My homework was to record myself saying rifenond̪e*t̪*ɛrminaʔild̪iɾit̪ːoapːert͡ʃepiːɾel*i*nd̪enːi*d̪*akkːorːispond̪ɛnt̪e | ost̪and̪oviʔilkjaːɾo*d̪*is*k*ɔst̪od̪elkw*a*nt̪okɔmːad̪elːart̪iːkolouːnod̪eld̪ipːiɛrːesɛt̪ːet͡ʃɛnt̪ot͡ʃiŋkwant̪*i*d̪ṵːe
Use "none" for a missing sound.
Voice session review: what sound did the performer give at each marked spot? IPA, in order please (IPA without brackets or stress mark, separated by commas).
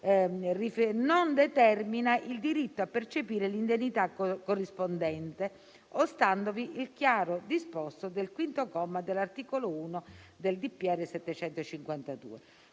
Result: t̪, i, t̪, d̪, p, i, a